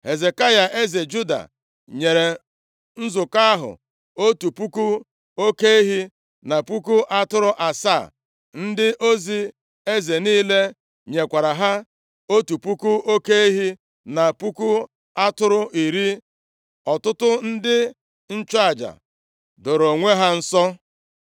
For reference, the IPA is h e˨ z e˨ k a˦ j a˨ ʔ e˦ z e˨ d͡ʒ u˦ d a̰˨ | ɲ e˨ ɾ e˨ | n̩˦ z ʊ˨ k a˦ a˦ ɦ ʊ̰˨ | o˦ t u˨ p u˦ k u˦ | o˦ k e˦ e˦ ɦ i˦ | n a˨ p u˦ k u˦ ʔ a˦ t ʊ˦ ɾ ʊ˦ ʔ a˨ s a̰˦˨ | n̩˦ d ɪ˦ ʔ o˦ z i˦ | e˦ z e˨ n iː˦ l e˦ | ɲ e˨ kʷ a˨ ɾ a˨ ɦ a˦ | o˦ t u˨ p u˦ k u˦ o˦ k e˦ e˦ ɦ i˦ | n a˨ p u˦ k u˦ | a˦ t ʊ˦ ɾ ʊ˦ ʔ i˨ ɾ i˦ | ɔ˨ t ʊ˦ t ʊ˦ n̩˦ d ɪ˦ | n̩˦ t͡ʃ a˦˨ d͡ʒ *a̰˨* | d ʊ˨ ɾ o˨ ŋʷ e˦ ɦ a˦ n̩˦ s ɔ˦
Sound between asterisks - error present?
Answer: no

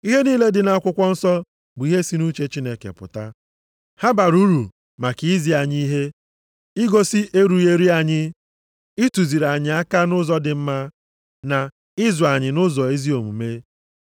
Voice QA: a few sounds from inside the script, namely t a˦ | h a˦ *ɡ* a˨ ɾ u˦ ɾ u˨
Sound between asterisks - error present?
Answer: yes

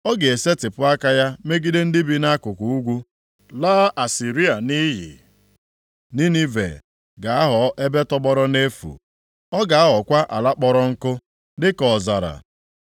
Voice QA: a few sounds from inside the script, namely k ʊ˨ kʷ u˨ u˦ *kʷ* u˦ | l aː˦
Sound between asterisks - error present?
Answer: yes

